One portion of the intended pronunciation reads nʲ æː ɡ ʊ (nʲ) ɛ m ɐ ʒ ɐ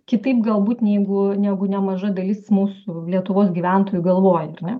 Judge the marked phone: correct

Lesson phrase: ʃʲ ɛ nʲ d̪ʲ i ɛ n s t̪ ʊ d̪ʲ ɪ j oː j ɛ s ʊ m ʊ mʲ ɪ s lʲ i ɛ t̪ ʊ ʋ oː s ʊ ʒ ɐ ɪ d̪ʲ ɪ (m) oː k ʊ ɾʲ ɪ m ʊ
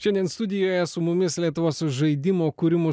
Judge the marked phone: correct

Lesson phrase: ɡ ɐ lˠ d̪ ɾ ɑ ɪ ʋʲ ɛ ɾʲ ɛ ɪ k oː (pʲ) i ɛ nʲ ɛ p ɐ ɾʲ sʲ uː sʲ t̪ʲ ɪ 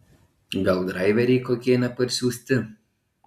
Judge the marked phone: incorrect: kʲ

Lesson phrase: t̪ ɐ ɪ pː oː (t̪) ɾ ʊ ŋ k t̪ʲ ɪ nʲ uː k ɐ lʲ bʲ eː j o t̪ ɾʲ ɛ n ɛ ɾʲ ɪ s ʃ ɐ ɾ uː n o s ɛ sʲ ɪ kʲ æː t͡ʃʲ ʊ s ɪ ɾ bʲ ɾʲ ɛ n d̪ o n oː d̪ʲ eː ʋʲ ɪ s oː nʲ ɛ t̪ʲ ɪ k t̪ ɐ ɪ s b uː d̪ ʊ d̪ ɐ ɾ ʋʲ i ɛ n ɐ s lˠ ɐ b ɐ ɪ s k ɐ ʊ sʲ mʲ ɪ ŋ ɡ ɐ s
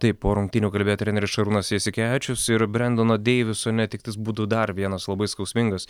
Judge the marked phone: incorrect: none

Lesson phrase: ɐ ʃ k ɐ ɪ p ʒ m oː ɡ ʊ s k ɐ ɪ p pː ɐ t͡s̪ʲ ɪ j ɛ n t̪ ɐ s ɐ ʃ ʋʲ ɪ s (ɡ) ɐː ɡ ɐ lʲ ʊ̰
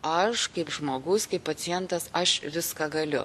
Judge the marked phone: incorrect: k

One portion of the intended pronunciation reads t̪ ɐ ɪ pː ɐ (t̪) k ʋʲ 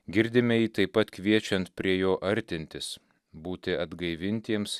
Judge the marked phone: correct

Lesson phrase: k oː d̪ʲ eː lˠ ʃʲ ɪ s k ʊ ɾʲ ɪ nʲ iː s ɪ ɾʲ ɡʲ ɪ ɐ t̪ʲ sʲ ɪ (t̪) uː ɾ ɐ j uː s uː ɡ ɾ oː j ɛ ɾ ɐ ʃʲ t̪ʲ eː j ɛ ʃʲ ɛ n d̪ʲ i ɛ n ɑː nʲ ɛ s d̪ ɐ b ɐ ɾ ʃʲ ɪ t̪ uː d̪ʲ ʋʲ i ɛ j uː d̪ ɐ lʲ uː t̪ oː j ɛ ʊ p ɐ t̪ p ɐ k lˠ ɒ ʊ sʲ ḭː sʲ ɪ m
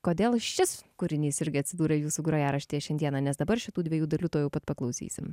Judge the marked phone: incorrect: d̪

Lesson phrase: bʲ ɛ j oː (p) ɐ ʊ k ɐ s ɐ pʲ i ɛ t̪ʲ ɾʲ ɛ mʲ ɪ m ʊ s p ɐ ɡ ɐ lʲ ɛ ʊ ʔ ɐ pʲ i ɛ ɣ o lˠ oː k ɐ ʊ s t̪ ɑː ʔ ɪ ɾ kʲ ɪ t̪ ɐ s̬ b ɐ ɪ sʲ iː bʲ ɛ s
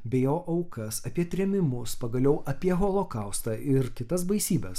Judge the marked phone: incorrect: ʔ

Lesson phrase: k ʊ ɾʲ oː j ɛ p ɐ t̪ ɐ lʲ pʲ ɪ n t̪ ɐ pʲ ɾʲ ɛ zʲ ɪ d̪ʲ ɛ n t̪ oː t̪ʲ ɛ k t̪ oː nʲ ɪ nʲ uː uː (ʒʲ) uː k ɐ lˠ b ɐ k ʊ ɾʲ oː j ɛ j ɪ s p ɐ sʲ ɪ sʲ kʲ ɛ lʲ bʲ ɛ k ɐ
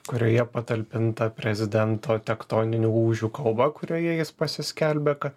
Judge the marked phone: correct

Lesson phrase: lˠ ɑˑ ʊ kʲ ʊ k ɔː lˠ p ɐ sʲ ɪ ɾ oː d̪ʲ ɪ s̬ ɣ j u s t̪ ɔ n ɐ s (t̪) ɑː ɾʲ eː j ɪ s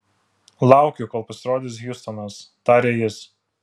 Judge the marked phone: correct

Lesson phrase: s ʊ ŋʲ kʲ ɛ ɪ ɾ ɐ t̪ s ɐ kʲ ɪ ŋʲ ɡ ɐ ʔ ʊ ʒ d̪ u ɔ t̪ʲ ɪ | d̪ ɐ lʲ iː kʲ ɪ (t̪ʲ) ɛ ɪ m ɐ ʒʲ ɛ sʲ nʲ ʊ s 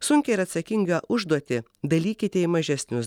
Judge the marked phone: correct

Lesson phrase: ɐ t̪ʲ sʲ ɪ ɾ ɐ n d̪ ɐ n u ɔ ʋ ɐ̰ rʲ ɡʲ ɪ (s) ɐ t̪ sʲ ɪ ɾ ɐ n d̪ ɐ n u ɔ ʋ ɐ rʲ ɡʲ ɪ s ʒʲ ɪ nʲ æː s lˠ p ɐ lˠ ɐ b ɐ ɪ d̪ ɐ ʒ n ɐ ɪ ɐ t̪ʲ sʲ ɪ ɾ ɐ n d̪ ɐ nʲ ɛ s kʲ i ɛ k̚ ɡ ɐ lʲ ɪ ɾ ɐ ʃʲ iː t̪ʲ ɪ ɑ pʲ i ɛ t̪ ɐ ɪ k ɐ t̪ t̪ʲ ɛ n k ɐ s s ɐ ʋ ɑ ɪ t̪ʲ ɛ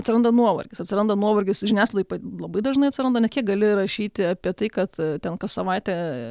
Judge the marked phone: correct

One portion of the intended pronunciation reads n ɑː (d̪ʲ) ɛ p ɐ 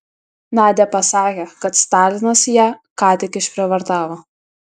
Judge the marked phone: correct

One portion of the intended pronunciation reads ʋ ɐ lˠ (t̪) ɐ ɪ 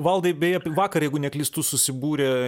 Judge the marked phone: incorrect: d̪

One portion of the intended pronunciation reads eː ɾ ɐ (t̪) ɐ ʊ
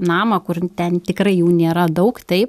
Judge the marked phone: incorrect: d̪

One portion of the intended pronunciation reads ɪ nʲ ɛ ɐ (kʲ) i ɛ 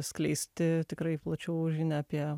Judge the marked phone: incorrect: pʲ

